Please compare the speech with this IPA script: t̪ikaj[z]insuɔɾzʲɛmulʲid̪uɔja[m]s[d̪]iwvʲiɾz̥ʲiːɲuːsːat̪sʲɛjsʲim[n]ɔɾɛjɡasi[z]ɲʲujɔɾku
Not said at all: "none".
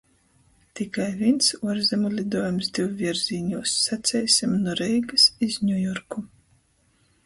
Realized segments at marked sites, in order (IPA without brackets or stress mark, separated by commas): v, m, d̪, n, z